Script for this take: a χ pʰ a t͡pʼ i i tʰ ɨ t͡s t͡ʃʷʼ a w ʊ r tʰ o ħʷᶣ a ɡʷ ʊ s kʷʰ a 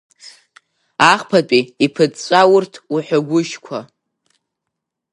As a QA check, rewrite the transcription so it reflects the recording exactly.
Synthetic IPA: a χ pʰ a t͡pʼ i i pʰ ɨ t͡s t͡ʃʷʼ a w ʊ r tʰ u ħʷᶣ a ɡʷ ʊ ʃ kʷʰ a